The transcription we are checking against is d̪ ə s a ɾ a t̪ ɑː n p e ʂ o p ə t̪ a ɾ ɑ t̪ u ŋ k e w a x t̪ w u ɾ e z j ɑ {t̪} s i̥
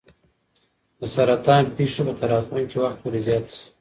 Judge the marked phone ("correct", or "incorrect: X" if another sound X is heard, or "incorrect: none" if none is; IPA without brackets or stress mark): correct